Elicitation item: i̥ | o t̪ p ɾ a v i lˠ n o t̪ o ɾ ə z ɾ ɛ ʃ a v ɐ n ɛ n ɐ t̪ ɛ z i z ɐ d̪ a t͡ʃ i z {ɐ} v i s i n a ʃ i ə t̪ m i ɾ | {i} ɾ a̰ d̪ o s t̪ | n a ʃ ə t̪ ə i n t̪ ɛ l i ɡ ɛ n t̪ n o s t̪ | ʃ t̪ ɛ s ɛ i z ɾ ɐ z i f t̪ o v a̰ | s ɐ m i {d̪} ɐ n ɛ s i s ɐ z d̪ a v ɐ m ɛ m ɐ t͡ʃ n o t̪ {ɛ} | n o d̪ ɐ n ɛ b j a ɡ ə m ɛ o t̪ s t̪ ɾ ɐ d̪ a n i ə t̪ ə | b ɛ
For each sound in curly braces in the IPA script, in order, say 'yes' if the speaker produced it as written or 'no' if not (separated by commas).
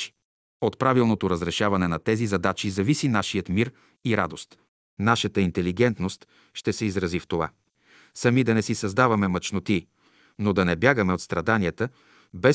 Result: yes, yes, yes, no